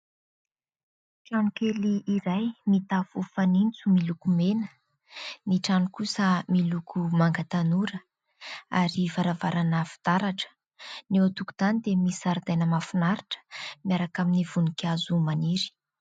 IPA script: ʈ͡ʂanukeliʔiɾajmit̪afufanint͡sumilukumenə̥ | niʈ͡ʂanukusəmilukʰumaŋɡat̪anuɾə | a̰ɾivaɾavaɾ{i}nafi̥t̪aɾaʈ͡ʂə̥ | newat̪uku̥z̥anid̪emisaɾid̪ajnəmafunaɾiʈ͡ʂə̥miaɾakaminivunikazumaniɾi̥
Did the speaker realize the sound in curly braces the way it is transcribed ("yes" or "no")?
no